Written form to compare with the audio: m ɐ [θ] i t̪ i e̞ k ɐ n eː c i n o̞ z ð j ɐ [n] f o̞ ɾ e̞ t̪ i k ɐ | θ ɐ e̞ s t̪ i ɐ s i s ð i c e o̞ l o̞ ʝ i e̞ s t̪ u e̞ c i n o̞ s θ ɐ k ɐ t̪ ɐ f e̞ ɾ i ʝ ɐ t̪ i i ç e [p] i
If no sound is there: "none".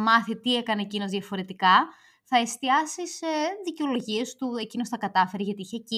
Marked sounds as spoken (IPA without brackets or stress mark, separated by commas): θ, none, c